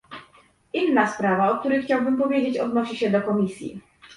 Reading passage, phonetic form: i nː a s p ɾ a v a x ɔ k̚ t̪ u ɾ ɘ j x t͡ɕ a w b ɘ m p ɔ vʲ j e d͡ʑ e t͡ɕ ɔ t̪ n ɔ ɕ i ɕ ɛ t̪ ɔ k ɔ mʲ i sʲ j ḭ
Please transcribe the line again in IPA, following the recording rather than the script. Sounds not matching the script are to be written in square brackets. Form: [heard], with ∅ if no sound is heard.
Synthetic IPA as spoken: i nː a s p ɾ a v a [∅] ɔ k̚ t̪ u ɾ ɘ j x t͡ɕ a w b ɘ m p ɔ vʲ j e d͡ʑ e t͡ɕ ɔ [d̪] n ɔ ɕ i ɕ ɛ [d̪] ɔ k ɔ mʲ i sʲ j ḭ

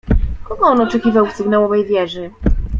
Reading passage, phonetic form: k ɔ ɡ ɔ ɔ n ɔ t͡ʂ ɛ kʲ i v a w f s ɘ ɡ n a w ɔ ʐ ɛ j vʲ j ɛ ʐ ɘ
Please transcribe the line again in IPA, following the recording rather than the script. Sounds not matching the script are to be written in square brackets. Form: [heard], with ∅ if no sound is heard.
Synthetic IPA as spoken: k ɔ ɡ ɔ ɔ n ɔ t͡ʂ ɛ kʲ i v a w f s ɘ ɡ n a w ɔ [v] ɛ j vʲ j ɛ ʐ ɘ

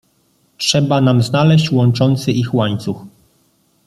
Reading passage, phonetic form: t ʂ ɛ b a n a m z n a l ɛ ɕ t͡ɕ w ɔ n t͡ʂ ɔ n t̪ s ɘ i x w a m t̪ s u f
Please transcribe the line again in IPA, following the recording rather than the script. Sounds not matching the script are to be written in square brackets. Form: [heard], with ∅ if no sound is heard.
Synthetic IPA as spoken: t ʂ ɛ b a n a m z n a l ɛ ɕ t͡ɕ w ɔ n t͡ʂ ɔ n t̪ s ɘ i x w a [ɲ] t̪ s u [x]

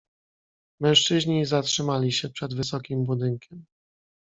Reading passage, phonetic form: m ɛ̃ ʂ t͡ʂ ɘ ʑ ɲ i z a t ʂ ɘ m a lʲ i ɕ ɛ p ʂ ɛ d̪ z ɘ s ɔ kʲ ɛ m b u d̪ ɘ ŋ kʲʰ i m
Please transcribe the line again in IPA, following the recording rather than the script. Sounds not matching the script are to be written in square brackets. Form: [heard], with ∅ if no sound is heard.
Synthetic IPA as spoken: m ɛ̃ ʂ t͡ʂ ɘ ʑ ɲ i z a t ʂ ɘ m a lʲ i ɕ ɛ p ʂ ɛ d̪ [v] ɘ s ɔ kʲ [i] m b u d̪ ɘ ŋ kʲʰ [ɛ] m

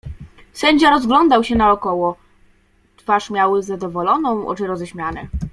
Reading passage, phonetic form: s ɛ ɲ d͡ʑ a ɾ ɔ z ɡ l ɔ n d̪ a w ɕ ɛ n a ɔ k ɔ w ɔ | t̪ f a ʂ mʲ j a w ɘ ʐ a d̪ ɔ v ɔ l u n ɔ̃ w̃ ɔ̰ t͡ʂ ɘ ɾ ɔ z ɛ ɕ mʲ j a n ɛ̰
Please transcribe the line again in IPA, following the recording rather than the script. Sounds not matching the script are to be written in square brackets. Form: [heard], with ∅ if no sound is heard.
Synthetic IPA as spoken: s ɛ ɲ d͡ʑ a ɾ ɔ z ɡ l ɔ n d̪ a w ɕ ɛ n a ɔ k ɔ w ɔ | t̪ f a ʂ mʲ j a w ɘ [z] a d̪ ɔ v ɔ l [ɔ] n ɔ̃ w̃ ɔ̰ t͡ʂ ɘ ɾ ɔ z ɛ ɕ mʲ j a n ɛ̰

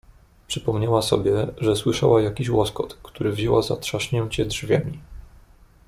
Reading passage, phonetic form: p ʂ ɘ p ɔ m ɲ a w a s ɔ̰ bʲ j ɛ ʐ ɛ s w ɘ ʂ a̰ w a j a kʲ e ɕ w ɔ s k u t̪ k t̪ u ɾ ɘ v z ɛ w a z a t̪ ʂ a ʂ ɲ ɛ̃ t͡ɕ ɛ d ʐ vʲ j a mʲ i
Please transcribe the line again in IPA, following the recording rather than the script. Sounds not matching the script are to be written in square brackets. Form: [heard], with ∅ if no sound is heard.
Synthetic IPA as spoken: p ʂ ɘ p ɔ m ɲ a w a s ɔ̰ bʲ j ɛ ʐ ɛ s w ɘ ʂ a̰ w a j a kʲ [i] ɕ w ɔ s k [ɔ] t̪ k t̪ u ɾ ɘ v [ʑ] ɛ w a z a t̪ ʂ a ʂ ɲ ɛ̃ t͡ɕ ɛ d ʐ vʲ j a mʲ i

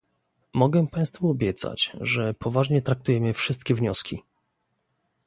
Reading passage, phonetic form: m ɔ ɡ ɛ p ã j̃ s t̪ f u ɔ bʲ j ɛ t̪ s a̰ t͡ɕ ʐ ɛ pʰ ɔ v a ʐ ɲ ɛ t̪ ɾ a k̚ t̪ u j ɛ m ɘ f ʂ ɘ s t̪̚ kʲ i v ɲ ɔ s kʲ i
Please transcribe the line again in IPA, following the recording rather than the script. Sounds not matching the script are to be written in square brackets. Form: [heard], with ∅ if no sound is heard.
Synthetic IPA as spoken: m ɔ ɡ ɛ p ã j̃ s t̪ f u ɔ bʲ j ɛ t̪ s a̰ t͡ɕ ʐ ɛ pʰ ɔ v a ʐ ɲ ɛ t̪ ɾ a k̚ t̪ u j ɛ m ɘ f ʂ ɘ s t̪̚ kʲ [ɛ] v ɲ ɔ s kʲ i

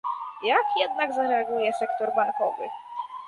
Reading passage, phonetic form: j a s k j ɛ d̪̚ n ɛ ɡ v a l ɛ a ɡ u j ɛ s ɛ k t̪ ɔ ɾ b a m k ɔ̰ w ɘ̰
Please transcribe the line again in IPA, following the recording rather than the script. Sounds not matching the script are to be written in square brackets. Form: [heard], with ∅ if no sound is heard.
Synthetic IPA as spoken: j a [∅] k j ɛ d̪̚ n [a] ɡ [z] a [ɾ] ɛ a ɡ u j ɛ s ɛ k t̪ ɔ ɾ b a [ŋ] k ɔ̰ [v] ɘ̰

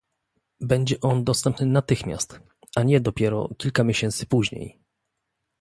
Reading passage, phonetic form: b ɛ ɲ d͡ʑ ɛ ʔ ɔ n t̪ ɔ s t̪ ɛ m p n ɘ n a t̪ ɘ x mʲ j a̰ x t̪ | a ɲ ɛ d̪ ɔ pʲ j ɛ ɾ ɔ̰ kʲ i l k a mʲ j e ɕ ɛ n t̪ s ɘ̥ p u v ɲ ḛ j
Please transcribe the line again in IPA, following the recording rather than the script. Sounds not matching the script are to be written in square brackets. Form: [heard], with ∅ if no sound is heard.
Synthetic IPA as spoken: b ɛ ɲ d͡ʑ ɛ ʔ ɔ n [d̪] ɔ s t̪ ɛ m p n ɘ n a t̪ ɘ x mʲ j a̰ [s] t̪ | a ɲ ɛ d̪ ɔ pʲ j ɛ ɾ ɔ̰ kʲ i l k a mʲ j e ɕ ɛ n t̪ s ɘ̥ p u [ʑ] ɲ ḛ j

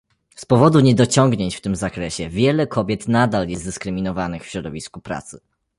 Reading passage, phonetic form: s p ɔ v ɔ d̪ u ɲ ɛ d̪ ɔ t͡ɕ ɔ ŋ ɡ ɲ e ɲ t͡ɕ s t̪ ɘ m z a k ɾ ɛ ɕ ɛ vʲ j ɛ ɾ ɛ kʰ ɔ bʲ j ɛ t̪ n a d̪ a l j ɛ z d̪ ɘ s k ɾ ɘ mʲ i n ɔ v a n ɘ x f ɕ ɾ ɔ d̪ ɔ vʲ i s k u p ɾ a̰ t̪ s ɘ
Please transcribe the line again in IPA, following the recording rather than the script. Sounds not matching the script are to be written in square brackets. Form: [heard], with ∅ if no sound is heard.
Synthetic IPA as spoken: s p ɔ v ɔ d̪ u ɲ ɛ d̪ ɔ t͡ɕ ɔ ŋ ɡ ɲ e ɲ t͡ɕ [f] t̪ ɘ m z a k ɾ ɛ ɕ ɛ vʲ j ɛ [l] ɛ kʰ ɔ bʲ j ɛ t̪ n a d̪ a l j ɛ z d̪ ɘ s k ɾ ɘ mʲ i n ɔ v a n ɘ x f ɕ ɾ ɔ d̪ ɔ vʲ i s k u p ɾ a̰ t̪ s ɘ

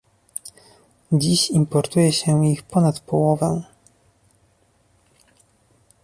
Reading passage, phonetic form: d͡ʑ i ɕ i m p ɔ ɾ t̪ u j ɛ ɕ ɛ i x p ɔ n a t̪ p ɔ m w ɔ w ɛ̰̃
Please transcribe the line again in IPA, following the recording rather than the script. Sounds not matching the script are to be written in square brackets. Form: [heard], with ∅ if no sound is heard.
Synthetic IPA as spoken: d͡ʑ i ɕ i m p ɔ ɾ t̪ u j ɛ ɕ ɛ i x p ɔ n a t̪ p ɔ [∅] w ɔ [v] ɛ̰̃

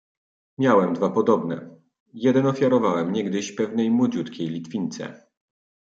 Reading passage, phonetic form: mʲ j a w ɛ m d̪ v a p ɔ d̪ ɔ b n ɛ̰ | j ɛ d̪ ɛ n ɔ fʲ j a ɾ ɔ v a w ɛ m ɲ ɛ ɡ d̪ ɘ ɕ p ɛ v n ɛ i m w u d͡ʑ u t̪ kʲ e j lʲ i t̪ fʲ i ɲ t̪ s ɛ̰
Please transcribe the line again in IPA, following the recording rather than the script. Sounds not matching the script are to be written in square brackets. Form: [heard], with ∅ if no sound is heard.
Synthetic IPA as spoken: mʲ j a w ɛ m d̪ v a p ɔ d̪ ɔ b n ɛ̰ | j ɛ d̪ ɛ n ɔ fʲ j a ɾ ɔ v a w ɛ m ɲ ɛ ɡ d̪ ɘ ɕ p ɛ v n ɛ [j] m w [ɔ] d͡ʑ u t̪ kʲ e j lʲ i t̪ fʲ i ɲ t̪ s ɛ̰

